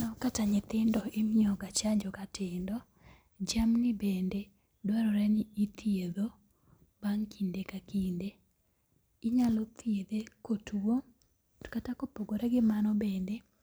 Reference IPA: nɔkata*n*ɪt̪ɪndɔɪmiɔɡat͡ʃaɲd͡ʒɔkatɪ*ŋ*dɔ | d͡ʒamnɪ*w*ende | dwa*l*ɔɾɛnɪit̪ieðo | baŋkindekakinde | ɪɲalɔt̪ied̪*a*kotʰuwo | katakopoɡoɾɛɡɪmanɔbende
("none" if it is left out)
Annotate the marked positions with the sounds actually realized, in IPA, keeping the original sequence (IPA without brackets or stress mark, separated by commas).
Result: ɲ, n, b, ɾ, e